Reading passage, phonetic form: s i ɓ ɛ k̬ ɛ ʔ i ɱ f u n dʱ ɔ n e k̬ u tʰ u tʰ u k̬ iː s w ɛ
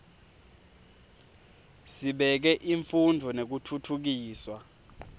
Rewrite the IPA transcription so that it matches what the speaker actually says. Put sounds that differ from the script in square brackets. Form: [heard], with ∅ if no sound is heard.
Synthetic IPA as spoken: s i ɓ ɛ k̬ ɛ ʔ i ɱ f u n dʱ ɔ n e k̬ u tʰ u tʰ u k̬ iː s w [a]